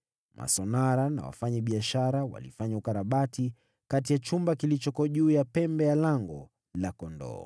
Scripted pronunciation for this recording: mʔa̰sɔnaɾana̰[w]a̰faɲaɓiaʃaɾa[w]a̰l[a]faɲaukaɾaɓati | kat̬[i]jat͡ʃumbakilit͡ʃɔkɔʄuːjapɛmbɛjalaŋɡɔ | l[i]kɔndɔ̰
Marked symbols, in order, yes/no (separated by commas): yes, yes, no, yes, no